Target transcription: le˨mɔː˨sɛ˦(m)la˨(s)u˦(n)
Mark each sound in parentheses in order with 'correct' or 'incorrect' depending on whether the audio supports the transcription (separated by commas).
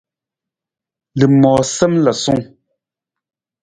correct, correct, incorrect